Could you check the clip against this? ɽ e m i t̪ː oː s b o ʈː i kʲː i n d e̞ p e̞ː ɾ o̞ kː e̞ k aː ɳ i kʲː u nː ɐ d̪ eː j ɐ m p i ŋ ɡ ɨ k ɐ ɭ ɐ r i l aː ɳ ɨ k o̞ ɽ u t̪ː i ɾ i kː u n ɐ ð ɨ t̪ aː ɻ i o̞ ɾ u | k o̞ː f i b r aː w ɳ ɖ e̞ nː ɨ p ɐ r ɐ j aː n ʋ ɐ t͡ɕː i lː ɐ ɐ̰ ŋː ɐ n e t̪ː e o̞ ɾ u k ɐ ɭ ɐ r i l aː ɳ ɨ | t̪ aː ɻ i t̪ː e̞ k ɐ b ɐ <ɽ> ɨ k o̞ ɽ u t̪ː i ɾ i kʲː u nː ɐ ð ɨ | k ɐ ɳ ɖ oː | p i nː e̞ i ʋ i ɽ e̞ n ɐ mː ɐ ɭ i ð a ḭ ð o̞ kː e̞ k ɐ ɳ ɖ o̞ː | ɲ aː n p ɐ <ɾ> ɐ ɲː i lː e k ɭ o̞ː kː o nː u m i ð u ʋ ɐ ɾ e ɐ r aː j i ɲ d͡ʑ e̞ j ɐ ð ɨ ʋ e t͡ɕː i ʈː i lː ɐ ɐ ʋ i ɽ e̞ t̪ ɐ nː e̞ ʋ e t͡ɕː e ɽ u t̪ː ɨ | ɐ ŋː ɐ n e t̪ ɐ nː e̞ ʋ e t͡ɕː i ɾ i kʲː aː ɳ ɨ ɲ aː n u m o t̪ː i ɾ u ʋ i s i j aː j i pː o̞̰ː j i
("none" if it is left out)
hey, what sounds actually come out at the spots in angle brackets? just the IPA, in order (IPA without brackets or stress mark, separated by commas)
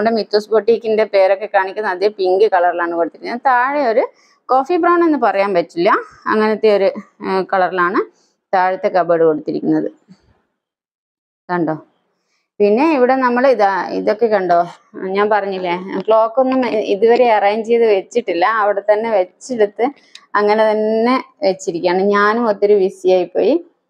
ɽ, r